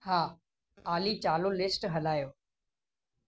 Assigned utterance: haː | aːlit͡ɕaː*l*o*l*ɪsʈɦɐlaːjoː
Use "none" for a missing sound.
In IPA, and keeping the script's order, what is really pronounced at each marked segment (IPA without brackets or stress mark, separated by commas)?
l, l